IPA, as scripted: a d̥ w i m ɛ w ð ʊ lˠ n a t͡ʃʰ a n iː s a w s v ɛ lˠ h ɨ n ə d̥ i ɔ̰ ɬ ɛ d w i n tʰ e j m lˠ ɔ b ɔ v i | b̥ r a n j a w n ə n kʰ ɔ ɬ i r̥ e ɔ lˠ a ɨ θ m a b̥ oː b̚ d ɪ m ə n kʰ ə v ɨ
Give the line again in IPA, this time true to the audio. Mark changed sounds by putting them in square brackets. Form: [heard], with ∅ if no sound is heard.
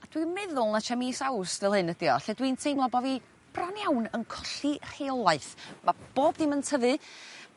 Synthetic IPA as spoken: a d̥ w i m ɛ [∅] ð ʊ lˠ n a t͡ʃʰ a [m] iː s a w s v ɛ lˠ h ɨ n ə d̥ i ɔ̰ ɬ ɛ d w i n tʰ e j m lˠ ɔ b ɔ v i | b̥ r a n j a w n ə n kʰ ɔ ɬ i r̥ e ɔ lˠ a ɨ θ m a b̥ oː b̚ d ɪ m ə n [tʰ] ə v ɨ

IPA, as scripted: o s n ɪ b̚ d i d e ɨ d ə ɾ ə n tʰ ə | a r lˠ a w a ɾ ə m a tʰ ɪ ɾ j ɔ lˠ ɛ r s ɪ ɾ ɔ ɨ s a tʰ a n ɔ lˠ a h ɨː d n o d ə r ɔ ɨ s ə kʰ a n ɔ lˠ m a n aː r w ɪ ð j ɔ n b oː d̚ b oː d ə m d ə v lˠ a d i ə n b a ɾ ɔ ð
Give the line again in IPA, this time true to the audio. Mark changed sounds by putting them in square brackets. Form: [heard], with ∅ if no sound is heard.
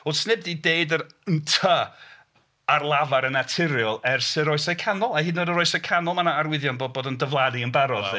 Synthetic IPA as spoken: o s n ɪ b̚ d i d e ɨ d ə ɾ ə n tʰ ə | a r lˠ a [v] a ɾ ə [n] a tʰ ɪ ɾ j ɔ lˠ ɛ r s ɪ ɾ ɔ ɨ s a [kʰ] a n ɔ lˠ a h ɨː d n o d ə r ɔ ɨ s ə kʰ a n ɔ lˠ m a n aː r w ɪ ð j ɔ n b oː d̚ b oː d ə [n] d ə v lˠ a d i ə n b a ɾ ɔ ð

